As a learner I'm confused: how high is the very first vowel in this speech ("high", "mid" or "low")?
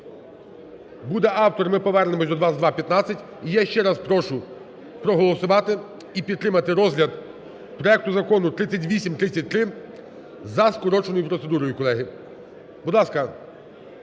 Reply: high